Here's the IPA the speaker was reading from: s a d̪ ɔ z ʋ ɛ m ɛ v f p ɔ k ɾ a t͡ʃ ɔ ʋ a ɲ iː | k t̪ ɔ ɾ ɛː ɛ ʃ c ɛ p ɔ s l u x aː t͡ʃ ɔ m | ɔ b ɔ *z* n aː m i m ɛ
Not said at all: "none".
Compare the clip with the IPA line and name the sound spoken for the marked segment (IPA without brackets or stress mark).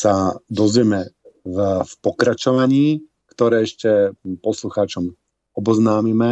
z